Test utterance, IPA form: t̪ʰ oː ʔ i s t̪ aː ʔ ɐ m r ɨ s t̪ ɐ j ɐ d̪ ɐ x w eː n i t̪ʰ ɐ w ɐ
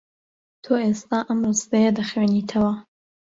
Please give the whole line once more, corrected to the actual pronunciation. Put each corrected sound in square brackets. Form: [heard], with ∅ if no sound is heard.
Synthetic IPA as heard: t̪ʰ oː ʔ [e] s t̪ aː ʔ ɐ m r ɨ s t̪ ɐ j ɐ d̪ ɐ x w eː n i t̪ʰ ɐ w ɐ